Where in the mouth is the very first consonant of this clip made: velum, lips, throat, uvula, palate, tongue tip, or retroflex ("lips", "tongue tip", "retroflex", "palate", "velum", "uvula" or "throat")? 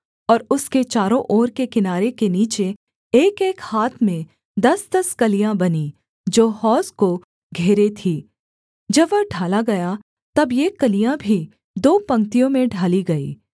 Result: tongue tip